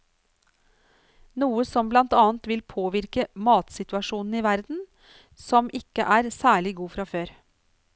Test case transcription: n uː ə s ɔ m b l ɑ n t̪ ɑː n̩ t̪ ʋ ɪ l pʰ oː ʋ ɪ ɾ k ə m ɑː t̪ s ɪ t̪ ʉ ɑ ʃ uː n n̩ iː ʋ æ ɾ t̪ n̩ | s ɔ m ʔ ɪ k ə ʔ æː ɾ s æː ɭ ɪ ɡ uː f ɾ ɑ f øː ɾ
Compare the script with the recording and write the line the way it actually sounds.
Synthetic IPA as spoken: n uː ə s ɔ m b l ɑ n t̪ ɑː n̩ t̪ ʋ ɪ l pʰ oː ʋ ɪ ɾ k ə m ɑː t̪ s ɪ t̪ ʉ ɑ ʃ uː n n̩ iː ʋ æ ɾ d̪ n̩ | s ɔ m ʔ ɪ k ə ʔ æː ɾ s æː ɭ ɪ ɡ uː f ɾ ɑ f øː ɾ